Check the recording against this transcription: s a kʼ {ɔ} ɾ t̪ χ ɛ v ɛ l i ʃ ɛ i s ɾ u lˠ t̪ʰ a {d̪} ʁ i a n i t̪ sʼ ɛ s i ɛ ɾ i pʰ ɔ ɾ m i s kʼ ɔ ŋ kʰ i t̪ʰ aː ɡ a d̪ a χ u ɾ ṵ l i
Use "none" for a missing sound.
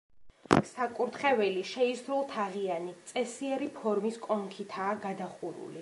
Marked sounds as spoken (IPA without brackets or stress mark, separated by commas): u, none